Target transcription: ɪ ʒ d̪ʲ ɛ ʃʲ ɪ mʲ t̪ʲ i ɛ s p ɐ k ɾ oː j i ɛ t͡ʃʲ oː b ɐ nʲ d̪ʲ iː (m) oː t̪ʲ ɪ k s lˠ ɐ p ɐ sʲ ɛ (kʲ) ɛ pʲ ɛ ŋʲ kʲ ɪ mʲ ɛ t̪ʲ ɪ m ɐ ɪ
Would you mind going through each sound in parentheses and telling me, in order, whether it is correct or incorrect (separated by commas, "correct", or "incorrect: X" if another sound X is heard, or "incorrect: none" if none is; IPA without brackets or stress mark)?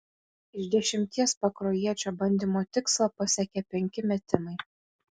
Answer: correct, correct